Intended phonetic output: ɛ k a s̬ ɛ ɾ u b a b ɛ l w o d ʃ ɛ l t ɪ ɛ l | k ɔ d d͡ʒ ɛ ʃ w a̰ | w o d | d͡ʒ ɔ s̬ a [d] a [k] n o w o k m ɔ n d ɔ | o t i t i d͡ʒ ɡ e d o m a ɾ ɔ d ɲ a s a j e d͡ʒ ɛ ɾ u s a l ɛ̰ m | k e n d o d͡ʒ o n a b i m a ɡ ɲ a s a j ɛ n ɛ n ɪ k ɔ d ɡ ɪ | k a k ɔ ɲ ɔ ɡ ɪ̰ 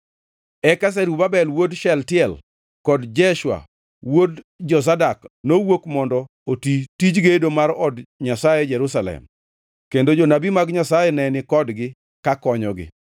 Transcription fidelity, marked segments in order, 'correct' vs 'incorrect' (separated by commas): correct, correct